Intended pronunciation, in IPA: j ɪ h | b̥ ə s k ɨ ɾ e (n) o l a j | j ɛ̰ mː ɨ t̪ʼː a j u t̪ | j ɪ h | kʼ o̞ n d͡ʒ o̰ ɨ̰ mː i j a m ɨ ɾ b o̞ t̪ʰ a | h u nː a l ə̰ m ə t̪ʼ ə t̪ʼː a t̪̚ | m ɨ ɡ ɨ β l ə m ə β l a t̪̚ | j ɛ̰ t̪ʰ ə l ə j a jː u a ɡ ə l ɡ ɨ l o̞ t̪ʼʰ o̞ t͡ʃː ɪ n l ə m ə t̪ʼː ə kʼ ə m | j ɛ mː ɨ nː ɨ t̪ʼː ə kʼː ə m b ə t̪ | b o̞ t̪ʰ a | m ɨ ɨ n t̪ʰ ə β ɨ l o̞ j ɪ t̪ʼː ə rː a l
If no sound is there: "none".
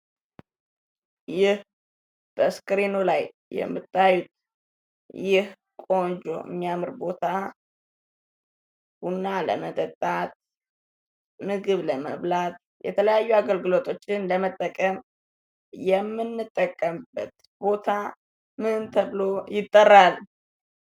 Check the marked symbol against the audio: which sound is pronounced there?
n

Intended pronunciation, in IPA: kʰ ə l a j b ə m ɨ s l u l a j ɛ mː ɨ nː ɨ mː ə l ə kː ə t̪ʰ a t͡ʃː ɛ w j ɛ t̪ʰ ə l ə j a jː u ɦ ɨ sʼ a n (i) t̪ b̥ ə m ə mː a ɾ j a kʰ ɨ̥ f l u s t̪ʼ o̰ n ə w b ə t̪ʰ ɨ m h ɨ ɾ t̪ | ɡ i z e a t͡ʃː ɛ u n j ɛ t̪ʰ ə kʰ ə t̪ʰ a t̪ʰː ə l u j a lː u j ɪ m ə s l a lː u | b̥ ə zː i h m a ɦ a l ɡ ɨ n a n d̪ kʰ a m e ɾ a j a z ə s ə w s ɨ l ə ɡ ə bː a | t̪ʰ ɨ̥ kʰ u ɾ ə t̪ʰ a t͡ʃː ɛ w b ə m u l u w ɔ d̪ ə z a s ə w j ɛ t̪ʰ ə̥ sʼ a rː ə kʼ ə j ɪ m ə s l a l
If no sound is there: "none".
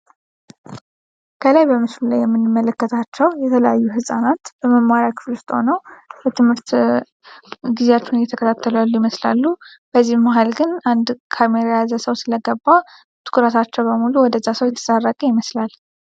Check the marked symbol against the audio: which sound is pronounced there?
a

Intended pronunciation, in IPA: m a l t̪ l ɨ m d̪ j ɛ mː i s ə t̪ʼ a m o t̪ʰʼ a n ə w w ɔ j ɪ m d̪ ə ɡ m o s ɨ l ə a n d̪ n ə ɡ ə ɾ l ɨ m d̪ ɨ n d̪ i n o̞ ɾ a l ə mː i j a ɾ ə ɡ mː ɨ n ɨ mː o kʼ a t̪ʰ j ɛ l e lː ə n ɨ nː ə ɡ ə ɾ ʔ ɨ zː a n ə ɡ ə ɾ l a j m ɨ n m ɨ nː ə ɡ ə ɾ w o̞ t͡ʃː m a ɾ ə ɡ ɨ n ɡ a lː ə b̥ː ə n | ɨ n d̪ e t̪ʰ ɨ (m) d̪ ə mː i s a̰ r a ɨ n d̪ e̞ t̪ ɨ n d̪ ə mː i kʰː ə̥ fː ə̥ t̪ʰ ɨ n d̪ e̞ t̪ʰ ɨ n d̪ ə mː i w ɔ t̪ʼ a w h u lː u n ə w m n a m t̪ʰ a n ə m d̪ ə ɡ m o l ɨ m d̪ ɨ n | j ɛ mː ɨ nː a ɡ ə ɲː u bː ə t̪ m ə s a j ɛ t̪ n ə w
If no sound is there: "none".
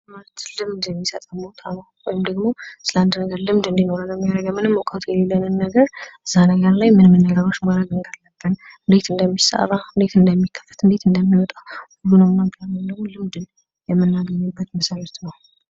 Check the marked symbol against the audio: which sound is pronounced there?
n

